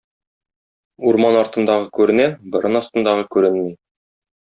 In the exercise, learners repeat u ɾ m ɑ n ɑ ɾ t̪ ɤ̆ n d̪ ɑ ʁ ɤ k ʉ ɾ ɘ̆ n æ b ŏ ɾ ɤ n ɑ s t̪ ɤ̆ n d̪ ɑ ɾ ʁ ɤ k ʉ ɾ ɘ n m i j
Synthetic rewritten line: u ɾ m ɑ n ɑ ɾ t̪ ɤ̆ n d̪ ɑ ʁ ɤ k ʉ ɾ ɘ̆ n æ b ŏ ɾ ɤ n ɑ s t̪ ɤ̆ n d̪ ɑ ʁ ɤ k ʉ ɾ ɘ n m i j